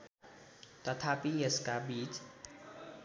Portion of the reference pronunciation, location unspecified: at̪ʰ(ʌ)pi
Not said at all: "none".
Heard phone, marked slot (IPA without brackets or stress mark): a